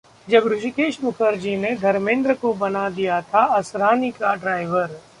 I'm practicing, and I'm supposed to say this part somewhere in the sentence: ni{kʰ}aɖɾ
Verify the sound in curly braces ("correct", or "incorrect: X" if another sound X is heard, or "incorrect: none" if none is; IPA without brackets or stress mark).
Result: incorrect: k